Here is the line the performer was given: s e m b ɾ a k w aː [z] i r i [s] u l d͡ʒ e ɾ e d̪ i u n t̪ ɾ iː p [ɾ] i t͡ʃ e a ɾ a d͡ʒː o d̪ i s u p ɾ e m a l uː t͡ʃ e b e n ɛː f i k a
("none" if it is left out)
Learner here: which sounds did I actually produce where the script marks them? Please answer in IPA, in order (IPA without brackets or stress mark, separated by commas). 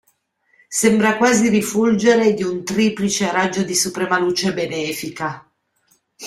z, f, l